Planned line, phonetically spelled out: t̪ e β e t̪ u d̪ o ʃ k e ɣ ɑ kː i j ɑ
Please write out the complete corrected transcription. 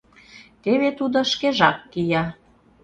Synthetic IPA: t̪ e β e t̪ u d̪ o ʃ k e ʒ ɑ kː i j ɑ